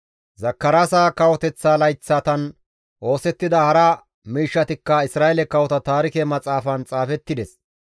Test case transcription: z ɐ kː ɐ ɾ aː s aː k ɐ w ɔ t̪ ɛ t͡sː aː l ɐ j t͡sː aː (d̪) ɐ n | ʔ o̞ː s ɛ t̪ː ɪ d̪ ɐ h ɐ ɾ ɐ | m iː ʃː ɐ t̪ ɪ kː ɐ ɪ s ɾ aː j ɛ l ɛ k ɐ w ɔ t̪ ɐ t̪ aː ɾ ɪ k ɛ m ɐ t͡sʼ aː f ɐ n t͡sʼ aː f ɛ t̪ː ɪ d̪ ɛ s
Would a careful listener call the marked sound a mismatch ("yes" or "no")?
yes